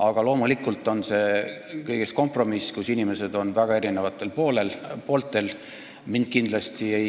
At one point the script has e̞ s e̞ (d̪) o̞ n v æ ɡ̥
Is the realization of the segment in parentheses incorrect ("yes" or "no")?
no